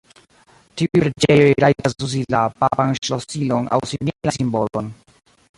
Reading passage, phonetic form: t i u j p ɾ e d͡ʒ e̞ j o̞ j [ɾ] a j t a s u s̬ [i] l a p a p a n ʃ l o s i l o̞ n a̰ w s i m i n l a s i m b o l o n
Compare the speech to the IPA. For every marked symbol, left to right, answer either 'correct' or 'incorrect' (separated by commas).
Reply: correct, correct